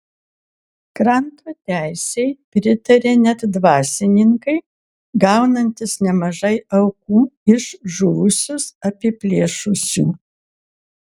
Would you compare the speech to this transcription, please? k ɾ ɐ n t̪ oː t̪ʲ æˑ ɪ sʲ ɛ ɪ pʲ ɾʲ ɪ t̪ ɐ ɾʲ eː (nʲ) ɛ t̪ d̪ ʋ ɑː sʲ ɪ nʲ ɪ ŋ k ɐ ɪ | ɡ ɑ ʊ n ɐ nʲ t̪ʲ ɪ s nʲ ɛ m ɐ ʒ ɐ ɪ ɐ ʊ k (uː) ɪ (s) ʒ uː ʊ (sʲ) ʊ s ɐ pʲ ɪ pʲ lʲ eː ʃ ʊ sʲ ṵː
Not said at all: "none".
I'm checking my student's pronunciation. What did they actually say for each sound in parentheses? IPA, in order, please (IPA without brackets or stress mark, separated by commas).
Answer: nʲ, uː, ʃ, sʲ